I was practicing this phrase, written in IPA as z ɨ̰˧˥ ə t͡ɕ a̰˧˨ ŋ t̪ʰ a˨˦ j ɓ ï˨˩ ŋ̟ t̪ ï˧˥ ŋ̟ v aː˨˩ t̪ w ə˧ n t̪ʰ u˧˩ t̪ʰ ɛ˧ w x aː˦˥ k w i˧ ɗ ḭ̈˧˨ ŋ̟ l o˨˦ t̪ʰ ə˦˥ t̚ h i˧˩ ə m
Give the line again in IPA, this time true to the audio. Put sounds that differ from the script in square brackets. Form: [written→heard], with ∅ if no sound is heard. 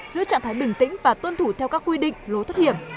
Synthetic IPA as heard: z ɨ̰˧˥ ə t͡ɕ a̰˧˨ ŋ t̪ʰ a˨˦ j ɓ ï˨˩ ŋ̟ t̪ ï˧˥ ŋ̟ v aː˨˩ t̪ w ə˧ n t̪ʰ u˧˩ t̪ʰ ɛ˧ w [x→k] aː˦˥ k w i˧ ɗ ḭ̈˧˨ ŋ̟ l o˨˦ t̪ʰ ə˦˥ t̚ h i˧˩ ə m